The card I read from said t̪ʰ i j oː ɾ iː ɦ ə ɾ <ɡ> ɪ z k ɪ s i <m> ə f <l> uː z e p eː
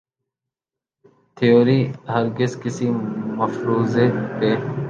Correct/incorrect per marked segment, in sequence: correct, correct, incorrect

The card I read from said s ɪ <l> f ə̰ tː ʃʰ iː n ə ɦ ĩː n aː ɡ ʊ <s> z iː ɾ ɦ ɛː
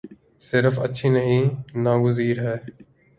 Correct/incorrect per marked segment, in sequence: incorrect, incorrect

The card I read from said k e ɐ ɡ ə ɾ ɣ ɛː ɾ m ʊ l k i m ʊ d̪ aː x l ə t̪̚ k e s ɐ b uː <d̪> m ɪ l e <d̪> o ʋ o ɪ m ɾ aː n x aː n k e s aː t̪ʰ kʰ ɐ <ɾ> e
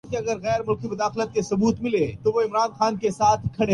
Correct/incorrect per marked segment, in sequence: incorrect, incorrect, incorrect

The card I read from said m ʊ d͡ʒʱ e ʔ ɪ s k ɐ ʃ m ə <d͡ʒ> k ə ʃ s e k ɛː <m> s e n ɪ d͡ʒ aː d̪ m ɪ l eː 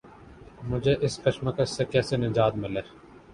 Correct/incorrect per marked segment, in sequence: incorrect, incorrect

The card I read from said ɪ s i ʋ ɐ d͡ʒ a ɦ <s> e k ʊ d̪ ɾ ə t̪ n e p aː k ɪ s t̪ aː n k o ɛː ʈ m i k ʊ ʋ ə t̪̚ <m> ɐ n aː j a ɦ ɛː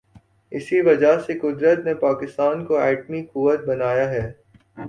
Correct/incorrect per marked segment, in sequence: correct, incorrect

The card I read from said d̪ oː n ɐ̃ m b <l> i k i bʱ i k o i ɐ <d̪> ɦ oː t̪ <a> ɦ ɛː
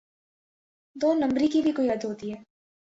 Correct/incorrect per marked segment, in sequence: incorrect, correct, incorrect

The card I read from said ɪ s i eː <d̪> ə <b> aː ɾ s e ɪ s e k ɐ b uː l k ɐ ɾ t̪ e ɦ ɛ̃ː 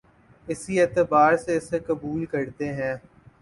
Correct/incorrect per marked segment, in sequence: incorrect, correct

